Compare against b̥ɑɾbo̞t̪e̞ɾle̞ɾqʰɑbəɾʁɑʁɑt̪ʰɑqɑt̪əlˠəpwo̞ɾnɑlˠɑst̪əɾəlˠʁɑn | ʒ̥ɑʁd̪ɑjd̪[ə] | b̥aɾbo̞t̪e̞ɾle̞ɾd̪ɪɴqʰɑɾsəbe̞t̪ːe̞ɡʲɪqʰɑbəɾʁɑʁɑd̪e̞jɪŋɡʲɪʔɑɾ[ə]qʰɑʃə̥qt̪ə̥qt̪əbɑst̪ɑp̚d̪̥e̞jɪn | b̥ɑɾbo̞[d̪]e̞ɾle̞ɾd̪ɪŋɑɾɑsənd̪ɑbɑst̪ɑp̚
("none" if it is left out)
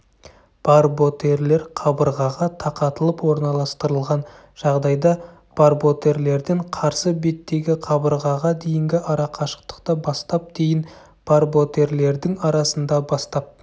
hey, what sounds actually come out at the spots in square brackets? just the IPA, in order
ɑ, ɑ, t̪

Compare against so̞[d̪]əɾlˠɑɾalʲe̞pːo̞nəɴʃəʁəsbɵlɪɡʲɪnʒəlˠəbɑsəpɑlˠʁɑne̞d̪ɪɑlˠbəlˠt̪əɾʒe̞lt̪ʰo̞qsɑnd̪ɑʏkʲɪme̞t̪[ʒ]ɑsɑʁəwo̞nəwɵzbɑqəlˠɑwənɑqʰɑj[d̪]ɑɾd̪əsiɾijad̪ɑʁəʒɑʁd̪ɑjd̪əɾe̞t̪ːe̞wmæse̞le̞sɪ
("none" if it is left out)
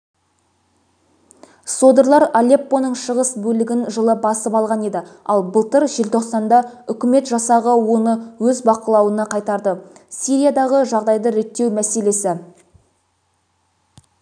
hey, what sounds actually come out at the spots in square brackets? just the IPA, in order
d̪, ʒ, t̪

